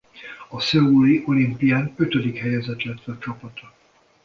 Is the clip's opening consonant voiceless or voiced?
voiceless